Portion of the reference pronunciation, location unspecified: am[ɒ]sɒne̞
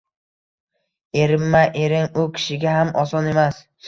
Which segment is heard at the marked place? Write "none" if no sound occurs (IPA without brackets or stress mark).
ɒ